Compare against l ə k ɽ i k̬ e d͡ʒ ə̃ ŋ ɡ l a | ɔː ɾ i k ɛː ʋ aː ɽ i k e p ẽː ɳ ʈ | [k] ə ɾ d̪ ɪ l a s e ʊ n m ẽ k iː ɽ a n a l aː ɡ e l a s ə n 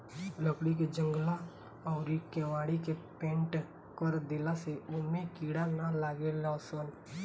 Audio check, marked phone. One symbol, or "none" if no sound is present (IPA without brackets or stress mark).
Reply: k